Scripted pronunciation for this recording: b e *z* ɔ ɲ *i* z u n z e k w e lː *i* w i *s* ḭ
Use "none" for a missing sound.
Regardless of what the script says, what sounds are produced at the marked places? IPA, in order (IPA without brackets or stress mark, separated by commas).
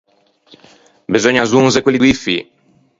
z, a, i, f